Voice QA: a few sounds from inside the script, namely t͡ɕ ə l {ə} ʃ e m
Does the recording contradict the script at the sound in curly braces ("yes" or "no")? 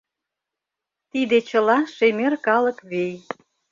yes